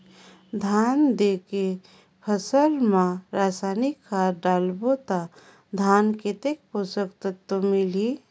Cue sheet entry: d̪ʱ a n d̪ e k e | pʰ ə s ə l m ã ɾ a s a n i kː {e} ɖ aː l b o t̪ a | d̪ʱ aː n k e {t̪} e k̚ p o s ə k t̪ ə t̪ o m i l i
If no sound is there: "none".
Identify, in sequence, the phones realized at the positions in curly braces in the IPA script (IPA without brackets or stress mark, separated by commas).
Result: a, t̪